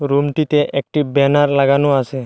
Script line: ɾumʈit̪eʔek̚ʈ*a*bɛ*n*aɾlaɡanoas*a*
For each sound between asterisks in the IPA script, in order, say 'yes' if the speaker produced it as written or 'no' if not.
no, yes, no

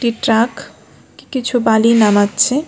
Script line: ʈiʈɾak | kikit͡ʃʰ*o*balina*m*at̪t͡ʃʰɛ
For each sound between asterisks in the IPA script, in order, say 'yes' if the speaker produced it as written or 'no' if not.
no, yes

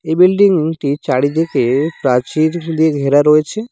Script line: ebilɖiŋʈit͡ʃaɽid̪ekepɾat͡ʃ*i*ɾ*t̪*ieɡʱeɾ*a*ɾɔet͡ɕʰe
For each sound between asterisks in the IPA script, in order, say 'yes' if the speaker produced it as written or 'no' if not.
yes, no, yes

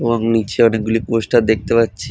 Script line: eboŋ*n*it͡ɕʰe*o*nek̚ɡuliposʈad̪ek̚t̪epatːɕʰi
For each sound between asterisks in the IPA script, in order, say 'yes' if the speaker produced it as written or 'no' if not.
yes, no

